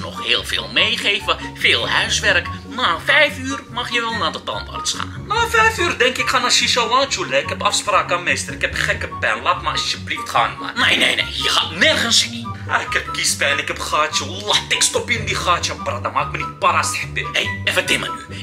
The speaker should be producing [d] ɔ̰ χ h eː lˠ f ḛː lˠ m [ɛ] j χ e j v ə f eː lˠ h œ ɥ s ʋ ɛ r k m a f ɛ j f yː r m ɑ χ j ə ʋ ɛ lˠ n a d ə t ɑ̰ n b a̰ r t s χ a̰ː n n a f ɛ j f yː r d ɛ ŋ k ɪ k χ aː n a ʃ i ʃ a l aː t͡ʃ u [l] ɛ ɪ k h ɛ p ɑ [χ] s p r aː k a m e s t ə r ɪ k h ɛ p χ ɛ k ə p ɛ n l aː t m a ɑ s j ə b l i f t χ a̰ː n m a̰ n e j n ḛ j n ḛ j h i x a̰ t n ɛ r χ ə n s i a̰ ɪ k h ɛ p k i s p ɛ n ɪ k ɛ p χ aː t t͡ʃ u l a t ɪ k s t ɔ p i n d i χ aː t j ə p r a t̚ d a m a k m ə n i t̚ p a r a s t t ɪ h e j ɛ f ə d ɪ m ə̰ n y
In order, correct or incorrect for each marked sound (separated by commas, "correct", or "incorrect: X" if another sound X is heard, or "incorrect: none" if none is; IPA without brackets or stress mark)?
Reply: incorrect: n, incorrect: e, correct, incorrect: f